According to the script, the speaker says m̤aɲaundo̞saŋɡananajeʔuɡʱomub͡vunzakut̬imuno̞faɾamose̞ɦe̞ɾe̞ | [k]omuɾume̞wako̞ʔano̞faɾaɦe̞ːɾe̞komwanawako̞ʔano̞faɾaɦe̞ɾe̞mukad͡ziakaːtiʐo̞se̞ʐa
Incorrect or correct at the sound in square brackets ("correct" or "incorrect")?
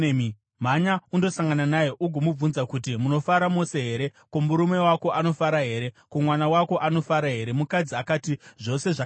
correct